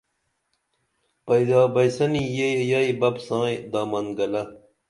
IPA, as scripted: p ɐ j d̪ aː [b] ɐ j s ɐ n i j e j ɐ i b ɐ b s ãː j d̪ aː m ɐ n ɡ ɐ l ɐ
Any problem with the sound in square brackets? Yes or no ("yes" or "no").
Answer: no